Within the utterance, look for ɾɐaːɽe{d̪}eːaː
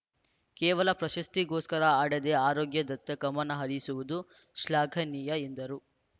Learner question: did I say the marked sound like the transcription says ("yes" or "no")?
yes